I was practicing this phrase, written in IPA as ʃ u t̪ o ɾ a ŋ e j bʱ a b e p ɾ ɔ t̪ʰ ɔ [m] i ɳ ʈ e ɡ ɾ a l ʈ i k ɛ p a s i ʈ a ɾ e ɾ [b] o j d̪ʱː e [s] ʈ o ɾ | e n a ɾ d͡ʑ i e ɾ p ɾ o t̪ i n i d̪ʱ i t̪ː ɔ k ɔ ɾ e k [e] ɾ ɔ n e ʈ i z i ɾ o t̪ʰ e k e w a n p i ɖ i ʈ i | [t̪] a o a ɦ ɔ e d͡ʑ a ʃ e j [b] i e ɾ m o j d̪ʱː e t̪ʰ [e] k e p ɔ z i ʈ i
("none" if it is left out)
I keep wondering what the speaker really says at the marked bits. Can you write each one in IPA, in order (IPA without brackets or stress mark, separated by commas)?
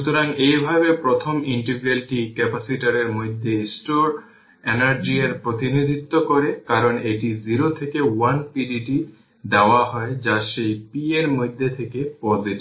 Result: m, m, s, a, d̪, p, e